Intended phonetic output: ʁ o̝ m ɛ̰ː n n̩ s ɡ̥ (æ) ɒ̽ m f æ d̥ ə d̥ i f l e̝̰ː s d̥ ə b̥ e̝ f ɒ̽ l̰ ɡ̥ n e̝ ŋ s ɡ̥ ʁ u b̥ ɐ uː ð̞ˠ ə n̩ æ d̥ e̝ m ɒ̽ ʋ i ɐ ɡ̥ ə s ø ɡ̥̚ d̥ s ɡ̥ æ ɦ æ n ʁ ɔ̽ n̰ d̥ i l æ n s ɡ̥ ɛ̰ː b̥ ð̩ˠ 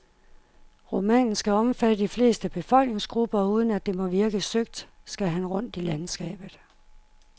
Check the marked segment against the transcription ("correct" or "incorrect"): correct